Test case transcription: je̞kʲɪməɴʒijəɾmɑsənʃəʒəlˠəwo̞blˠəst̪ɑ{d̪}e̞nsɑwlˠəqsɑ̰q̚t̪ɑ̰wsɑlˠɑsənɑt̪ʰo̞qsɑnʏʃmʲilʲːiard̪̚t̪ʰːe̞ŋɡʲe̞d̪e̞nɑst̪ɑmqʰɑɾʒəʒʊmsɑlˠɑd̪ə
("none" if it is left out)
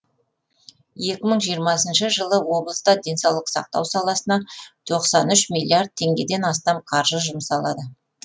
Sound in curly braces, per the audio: d̪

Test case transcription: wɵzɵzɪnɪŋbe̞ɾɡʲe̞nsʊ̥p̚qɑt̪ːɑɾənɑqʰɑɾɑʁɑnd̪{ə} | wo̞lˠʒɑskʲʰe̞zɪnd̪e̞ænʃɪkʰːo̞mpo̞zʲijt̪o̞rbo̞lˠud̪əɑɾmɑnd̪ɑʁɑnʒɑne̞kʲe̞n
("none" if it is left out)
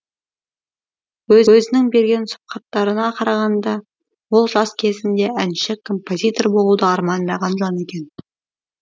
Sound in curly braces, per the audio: ɑ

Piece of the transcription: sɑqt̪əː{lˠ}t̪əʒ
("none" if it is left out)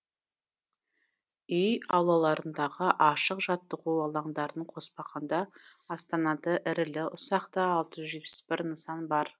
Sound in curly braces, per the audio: lˠ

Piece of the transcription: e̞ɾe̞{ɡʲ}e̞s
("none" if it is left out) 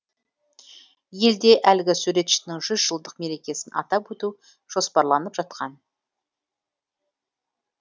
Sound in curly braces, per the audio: kʲ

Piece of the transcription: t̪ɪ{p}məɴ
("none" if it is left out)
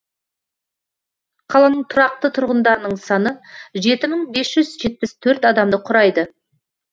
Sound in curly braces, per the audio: none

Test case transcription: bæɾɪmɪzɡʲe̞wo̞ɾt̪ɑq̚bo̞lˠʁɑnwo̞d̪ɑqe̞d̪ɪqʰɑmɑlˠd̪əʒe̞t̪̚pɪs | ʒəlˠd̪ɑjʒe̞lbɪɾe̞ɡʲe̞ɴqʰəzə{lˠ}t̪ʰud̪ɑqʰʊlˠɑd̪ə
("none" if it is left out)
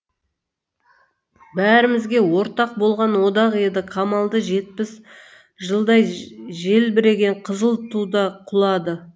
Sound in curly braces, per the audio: lˠ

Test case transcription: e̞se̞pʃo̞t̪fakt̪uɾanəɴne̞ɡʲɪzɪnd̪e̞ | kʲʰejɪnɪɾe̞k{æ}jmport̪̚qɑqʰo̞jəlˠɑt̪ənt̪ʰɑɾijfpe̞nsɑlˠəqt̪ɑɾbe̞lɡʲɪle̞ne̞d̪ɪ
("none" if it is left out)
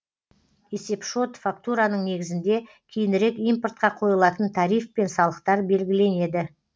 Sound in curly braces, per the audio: i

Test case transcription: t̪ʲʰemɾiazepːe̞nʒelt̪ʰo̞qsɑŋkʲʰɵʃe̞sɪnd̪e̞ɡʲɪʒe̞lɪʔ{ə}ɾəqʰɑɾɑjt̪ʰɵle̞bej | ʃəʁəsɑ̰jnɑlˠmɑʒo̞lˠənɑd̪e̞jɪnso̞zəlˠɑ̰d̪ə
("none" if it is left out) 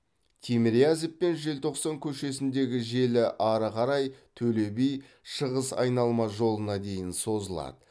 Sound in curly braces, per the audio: ɑ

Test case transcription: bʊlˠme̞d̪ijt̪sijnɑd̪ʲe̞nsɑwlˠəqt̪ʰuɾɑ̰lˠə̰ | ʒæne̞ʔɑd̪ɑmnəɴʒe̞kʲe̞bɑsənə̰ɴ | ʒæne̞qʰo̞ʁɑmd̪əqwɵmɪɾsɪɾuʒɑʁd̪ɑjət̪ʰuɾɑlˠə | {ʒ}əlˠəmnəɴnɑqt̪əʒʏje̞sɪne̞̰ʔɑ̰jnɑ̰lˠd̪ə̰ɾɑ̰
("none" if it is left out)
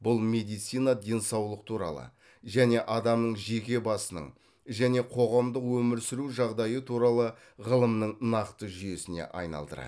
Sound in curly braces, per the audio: ʁ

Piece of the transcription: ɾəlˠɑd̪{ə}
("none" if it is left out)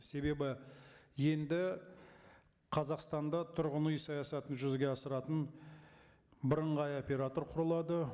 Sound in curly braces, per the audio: ə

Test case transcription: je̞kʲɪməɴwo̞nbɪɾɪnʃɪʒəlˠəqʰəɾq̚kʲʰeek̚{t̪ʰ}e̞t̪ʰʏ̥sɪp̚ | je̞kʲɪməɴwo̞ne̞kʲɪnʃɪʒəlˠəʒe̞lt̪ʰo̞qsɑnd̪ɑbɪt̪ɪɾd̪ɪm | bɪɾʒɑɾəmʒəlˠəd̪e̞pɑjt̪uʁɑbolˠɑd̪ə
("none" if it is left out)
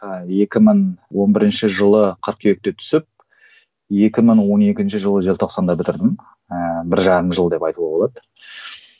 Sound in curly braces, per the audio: t̪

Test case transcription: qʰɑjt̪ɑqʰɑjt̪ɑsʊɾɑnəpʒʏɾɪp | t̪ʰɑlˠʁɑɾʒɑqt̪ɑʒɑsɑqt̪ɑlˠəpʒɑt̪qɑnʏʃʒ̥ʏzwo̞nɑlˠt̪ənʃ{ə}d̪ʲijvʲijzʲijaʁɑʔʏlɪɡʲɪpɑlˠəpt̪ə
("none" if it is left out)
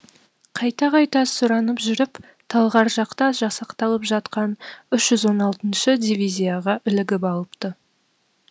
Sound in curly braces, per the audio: ə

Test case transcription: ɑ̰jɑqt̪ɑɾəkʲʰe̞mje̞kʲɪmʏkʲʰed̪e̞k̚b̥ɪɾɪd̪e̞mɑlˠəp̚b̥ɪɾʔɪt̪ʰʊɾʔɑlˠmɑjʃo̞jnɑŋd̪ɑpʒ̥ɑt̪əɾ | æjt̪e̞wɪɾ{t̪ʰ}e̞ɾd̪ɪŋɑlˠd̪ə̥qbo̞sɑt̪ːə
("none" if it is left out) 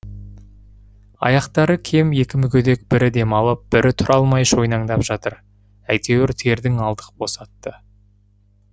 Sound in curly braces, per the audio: t̪ʰ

